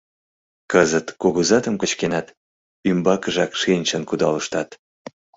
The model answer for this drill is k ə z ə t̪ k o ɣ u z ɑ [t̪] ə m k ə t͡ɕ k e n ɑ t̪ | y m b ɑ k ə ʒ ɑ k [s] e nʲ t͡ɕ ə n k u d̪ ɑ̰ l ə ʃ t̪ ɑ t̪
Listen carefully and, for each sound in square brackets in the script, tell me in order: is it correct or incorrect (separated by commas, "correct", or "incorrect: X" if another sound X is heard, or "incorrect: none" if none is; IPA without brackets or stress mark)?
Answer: correct, incorrect: ʃ